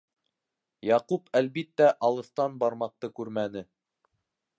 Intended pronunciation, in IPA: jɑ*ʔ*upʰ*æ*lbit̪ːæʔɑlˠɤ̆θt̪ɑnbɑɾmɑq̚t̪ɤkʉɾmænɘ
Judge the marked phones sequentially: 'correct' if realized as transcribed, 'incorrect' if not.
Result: incorrect, correct

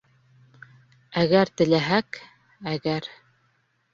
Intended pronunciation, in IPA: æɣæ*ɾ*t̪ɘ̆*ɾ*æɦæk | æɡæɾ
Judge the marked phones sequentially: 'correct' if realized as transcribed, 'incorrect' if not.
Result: correct, incorrect

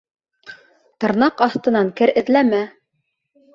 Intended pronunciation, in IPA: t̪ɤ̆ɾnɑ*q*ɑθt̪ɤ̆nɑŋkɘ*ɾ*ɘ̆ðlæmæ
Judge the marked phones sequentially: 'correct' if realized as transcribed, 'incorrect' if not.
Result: correct, correct

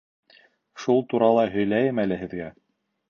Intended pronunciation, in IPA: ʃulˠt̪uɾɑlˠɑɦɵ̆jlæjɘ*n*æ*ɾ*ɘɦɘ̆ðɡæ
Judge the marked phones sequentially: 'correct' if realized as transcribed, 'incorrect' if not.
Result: incorrect, incorrect

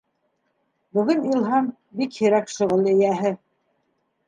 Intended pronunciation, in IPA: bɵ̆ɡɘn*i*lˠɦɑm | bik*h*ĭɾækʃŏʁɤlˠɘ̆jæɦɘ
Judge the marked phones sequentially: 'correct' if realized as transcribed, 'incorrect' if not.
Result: correct, correct

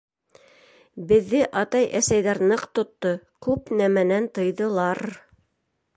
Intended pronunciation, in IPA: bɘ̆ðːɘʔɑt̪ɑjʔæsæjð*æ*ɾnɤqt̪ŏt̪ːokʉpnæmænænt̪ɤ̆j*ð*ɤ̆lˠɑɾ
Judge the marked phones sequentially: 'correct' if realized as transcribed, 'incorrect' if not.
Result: correct, correct

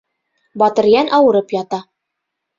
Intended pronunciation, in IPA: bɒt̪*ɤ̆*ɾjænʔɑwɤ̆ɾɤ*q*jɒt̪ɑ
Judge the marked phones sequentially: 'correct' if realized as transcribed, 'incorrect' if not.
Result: correct, incorrect

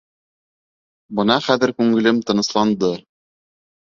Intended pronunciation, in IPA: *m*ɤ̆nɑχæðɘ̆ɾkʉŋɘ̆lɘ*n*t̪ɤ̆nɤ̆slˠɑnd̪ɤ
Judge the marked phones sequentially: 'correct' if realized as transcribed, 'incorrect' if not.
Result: incorrect, incorrect

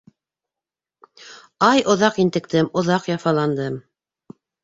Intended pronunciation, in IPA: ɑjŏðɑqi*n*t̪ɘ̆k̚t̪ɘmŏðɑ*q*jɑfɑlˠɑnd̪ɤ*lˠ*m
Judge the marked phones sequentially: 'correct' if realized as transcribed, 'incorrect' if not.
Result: correct, correct, incorrect

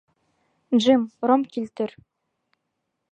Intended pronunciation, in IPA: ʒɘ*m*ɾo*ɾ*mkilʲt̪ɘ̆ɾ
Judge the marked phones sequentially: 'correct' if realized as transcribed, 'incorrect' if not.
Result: correct, incorrect

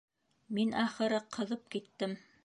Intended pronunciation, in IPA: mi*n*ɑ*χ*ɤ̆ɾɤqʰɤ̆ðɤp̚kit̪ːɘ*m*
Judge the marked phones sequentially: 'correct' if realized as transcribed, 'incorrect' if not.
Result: correct, correct, correct

